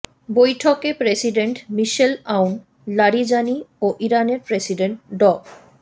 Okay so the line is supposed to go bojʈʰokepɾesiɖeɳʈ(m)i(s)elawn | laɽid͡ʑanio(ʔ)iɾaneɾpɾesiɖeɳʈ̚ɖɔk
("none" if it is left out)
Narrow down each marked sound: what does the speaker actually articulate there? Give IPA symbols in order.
m, ʃ, ʔ

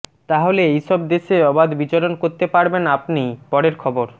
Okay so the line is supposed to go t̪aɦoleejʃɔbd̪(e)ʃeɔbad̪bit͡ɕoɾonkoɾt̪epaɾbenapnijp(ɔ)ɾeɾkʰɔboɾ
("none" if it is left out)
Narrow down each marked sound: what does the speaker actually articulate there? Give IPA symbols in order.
e, ɔ

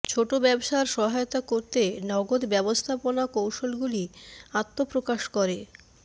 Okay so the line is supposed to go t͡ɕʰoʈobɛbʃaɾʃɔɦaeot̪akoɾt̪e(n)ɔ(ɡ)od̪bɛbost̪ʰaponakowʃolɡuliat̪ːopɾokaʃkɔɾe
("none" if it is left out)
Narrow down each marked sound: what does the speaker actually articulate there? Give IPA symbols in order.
n, ɡ

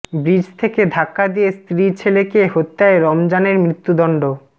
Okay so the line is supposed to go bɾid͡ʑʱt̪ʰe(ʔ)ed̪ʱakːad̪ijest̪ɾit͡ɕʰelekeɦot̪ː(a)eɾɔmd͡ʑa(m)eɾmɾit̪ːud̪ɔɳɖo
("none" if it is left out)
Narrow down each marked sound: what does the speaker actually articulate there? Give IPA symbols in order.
k, a, n

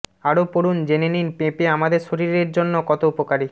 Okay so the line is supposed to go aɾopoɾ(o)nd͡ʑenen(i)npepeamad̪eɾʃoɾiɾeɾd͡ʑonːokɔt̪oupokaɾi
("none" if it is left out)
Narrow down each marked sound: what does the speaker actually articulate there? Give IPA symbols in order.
u, i

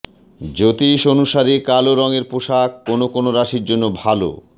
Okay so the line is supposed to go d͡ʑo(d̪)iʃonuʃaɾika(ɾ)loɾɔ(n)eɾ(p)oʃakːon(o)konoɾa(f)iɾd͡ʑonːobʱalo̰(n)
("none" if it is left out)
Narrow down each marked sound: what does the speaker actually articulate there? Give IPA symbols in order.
t̪, none, ŋ, p, o, ʃ, none

